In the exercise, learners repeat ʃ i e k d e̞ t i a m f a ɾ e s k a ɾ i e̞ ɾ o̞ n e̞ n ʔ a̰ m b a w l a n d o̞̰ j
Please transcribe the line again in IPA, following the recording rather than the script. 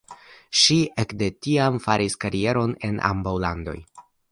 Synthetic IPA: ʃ i e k d e̞ t i a m f a ɾ i s k a ɾ i e̞ ɾ o̞ n e̞ n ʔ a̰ m b a w l a n d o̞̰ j